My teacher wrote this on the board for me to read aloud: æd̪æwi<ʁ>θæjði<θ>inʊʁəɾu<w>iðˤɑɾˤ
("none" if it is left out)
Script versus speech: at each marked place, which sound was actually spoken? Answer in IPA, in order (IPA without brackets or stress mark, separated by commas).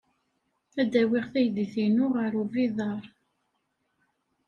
ʁ, θ, v